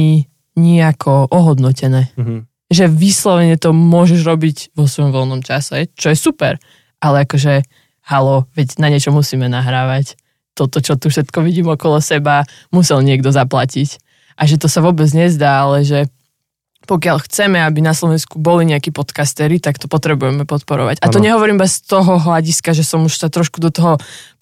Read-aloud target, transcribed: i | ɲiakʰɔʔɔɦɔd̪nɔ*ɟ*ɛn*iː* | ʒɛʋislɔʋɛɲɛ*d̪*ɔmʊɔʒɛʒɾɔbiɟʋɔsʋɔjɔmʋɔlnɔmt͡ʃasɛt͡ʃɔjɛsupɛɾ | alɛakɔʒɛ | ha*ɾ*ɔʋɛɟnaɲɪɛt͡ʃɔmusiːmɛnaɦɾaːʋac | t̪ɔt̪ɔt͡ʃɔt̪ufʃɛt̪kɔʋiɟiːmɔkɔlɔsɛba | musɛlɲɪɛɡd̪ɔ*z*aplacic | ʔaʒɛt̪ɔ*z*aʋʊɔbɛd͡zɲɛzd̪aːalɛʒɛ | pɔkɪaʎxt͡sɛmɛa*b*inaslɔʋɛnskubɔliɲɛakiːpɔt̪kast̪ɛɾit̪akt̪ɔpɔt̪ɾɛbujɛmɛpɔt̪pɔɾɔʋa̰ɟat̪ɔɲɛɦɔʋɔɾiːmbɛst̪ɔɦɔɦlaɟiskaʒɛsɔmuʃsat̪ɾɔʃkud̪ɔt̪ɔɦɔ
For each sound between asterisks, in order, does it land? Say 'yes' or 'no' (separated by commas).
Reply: no, no, no, no, yes, no, yes